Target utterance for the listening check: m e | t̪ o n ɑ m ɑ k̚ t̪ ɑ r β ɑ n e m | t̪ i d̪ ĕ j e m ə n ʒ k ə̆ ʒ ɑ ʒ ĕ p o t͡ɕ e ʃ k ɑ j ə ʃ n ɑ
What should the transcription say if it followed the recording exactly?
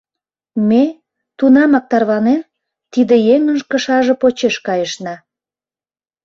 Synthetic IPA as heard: m e | t̪ u n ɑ m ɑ k̚ t̪ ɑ r β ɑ n e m | t̪ i d̪ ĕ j e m ə n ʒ k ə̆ ʃ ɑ ʒ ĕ p o t͡ɕ e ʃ k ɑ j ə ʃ n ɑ